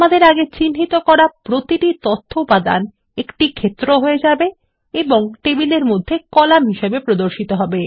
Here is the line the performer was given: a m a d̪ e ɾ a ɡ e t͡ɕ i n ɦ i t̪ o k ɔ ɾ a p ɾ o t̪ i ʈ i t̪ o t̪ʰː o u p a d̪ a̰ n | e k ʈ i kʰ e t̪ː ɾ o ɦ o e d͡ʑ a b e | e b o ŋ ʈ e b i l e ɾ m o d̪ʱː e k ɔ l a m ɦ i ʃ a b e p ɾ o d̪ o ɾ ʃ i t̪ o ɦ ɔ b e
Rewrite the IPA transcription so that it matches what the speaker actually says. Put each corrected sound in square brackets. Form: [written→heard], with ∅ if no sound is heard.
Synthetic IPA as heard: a m a d̪ e ɾ a ɡ e t͡ɕ i n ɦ i t̪ o k ɔ ɾ a p ɾ o t̪ i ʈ i t̪ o t̪ʰː o u p a d̪ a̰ n | e k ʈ i kʰ e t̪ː ɾ o ɦ o e d͡ʑ a b e | e b o ŋ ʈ e b i l e ɾ m o d̪ʱː e k ɔ l a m ɦ i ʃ [a→e] b e p ɾ o d̪ o ɾ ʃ i t̪ o ɦ ɔ b e